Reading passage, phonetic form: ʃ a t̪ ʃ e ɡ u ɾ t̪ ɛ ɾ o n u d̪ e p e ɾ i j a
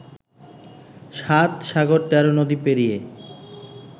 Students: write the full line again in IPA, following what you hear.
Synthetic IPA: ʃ a t̪ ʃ a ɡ o ɾ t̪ ɛ ɾ o n o d̪ i p e ɾ i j e